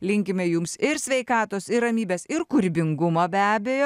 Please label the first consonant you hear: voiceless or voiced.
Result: voiced